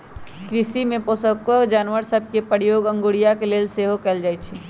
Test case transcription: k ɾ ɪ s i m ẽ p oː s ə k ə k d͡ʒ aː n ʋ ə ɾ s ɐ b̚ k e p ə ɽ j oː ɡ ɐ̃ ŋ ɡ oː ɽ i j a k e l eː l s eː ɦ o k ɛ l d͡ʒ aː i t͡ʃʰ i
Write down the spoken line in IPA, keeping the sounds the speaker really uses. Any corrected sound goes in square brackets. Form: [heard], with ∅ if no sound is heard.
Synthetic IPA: k ɾ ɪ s i m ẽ p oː s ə k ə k d͡ʒ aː n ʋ ə ɾ s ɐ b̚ k e p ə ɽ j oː ɡ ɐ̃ ŋ ɡ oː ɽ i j a k e l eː l s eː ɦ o k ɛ l d͡ʒ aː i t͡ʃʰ i